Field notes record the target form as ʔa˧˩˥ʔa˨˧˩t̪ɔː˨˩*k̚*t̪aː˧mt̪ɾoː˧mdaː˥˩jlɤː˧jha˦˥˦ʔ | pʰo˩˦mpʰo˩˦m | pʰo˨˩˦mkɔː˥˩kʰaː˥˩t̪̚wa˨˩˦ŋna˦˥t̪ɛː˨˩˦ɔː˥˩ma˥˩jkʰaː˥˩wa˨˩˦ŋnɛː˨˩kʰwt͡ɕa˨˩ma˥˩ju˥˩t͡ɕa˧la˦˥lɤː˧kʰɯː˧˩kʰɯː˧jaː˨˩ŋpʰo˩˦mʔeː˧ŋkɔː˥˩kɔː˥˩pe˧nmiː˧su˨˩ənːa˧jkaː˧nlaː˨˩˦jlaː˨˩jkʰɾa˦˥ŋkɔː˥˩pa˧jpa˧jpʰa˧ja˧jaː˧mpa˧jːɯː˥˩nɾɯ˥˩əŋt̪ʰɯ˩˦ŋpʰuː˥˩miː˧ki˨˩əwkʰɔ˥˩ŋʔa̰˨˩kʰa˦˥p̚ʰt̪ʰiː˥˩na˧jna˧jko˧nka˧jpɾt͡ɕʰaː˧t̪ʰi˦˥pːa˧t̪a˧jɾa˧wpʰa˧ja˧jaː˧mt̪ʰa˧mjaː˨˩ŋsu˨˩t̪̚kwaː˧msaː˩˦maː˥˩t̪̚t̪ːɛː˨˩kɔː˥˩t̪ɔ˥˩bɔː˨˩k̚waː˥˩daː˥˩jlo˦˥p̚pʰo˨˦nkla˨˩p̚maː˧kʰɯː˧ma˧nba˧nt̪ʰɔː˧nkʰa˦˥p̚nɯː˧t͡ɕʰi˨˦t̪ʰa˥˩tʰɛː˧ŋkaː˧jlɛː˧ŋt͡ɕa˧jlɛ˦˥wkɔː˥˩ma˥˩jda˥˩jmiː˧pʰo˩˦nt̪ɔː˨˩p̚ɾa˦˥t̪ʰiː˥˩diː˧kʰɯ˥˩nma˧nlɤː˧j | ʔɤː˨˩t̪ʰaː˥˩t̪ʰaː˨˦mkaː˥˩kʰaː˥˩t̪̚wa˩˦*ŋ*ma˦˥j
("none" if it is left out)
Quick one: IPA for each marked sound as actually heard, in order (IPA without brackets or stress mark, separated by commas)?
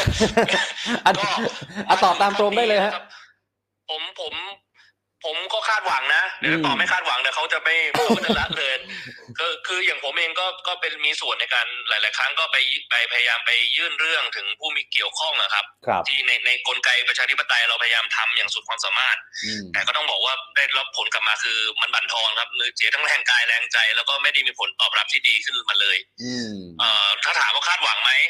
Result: p̚, ŋ